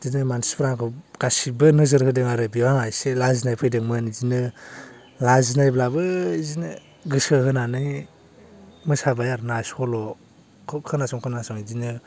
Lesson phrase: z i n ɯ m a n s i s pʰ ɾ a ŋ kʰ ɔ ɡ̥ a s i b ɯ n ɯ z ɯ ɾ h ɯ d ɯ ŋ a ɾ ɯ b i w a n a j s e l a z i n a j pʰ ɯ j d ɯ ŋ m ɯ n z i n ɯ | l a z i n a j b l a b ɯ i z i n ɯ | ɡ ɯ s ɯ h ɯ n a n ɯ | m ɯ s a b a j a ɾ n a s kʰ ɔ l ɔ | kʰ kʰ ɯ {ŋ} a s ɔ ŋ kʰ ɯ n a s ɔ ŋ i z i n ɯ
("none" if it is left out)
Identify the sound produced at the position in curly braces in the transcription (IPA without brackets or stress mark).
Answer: n